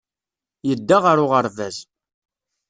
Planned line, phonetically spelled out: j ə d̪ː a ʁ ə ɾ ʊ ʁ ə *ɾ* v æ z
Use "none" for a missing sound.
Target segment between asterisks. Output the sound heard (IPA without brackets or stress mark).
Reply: ɾ